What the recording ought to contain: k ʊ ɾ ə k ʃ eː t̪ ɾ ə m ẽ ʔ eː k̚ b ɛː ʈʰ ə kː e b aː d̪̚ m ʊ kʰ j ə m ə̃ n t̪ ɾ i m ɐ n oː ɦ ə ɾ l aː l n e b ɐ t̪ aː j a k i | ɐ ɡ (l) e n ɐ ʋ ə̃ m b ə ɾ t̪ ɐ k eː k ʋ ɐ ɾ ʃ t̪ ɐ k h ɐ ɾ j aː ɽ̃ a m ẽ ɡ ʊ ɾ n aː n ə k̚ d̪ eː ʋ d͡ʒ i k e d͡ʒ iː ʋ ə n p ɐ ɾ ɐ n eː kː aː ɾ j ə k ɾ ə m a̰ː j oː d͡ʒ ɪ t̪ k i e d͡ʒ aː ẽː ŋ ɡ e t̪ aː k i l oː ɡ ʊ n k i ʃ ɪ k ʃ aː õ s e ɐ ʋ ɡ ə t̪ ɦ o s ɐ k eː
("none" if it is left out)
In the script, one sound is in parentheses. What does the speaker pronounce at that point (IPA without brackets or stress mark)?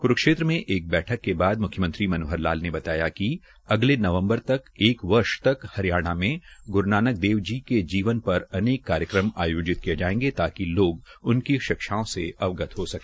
l